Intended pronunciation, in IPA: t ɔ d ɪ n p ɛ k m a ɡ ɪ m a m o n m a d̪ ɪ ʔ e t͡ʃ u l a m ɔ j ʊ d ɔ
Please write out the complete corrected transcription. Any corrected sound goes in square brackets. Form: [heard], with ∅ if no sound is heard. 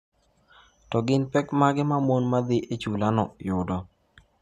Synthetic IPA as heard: t ɔ [ɡ] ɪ n p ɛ k m a ɡ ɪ m a m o n m a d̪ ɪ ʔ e t͡ʃ u l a [n] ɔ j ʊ d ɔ